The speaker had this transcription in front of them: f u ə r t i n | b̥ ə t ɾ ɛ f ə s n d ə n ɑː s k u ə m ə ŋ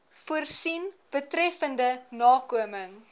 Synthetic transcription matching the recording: f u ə r s i n | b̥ ə t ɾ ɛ f ə n d ə n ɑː k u ə m ə ŋ